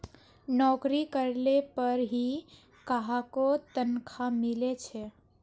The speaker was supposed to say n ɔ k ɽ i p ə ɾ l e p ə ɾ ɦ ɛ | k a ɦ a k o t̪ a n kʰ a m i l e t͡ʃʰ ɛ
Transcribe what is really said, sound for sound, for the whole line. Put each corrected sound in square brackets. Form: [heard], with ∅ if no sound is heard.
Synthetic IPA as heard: n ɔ k [ɾ] i [k] ə ɾ l e p ə ɾ ɦ [i] | k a ɦ a k o t̪ [ə] n kʰ a m i l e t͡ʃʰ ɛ